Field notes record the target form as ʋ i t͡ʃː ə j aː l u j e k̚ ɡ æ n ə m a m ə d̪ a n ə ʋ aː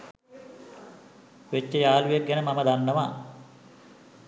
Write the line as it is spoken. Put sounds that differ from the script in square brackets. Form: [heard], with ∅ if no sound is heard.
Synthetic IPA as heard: ʋ [e] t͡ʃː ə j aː l u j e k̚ ɡ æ n ə m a m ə d̪ a [nː] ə ʋ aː